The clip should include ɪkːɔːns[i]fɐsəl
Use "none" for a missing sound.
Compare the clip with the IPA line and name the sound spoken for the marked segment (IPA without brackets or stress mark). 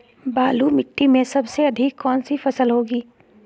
i